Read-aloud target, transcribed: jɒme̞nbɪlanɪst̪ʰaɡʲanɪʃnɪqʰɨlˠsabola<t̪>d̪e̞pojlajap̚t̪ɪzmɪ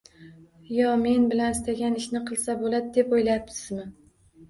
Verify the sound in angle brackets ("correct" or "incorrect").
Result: incorrect